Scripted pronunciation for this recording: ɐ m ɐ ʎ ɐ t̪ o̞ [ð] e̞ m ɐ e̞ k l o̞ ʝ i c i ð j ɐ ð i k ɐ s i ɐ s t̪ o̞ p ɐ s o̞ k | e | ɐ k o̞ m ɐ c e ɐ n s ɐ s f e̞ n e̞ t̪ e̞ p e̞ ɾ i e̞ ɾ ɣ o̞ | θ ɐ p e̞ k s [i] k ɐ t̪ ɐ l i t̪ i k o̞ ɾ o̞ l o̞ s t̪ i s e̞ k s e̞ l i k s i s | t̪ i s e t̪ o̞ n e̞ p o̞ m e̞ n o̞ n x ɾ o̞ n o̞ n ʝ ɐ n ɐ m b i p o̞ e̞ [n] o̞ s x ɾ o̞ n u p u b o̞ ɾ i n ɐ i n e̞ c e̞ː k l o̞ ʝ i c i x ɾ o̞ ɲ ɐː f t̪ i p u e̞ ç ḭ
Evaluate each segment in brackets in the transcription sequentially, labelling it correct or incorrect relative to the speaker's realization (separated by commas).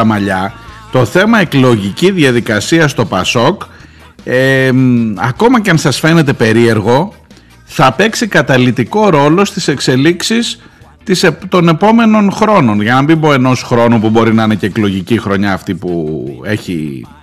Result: incorrect, correct, correct